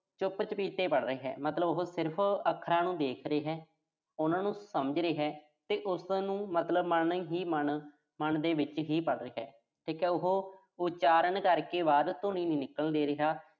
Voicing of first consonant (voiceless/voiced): voiceless